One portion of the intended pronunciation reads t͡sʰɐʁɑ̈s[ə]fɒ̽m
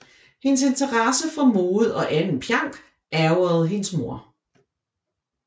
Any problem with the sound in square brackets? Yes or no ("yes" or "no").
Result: no